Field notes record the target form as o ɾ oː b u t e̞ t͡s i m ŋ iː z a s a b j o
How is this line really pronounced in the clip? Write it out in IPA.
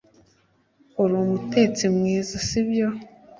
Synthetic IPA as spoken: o ɾ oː m u t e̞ t͡s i m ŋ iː z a s i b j o